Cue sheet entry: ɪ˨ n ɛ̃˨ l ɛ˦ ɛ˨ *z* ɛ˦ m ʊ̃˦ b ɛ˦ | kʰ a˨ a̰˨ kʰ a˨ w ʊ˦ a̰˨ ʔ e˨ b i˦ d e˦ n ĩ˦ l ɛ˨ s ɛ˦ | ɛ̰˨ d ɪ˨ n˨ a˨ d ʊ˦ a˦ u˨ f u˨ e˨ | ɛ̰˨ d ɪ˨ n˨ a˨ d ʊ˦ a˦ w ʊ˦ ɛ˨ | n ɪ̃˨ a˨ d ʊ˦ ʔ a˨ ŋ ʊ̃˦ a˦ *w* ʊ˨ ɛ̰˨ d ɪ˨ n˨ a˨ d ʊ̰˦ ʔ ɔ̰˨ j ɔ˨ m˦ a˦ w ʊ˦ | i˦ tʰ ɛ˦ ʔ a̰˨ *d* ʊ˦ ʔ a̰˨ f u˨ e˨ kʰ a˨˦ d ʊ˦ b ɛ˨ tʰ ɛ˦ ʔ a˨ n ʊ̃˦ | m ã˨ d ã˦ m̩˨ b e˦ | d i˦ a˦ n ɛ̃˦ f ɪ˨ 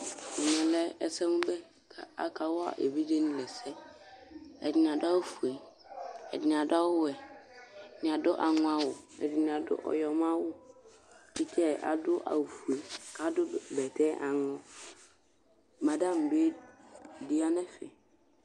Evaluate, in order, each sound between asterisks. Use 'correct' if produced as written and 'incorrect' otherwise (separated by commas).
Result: incorrect, correct, correct